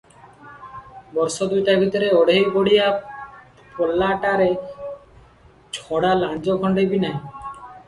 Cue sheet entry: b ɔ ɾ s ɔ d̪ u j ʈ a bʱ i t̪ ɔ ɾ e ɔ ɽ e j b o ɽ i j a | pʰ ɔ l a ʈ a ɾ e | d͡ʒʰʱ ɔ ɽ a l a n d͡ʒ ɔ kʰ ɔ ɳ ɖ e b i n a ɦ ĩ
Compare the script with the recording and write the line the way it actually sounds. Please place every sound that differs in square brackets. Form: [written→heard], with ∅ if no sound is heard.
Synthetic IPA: b ɔ ɾ s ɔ d̪ u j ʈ a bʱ i t̪ ɔ ɾ e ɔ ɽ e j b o ɽ i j a | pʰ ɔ l a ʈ a ɾ e | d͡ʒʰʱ ɔ ɽ a l a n d͡ʒ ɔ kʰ ɔ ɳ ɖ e b i n a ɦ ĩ